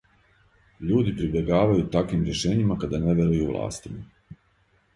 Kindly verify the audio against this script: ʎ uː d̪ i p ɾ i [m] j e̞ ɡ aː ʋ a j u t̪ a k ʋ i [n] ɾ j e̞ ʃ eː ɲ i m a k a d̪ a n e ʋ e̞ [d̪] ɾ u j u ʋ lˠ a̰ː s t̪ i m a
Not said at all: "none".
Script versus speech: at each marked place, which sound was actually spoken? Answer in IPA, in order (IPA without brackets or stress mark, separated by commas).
b, m, none